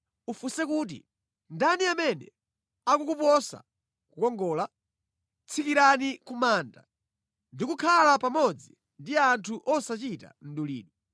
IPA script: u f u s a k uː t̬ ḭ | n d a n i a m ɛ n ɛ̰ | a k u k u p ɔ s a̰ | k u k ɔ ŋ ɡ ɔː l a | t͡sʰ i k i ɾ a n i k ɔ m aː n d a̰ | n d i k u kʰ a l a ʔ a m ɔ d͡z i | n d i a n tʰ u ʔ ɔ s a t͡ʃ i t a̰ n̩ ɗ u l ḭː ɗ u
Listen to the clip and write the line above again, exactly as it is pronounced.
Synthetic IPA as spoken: u f u s ɛ k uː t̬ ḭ | n d a n i a m ɛ n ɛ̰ | a k u k u p ɔ s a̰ | k u k ɔ ŋ ɡ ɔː l a | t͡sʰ i k i ɾ a n i k u m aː n d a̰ | n d i k u kʰ a l a p a m ɔ d͡z i | n d i a n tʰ u ʔ ɔ s a t͡ʃ i t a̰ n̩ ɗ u l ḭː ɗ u